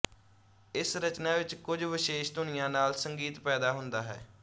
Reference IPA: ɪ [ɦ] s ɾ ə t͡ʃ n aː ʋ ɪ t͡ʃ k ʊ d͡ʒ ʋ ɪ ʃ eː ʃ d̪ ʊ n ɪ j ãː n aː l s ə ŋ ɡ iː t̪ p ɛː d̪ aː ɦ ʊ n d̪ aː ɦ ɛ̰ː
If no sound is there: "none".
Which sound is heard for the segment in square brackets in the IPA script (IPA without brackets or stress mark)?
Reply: none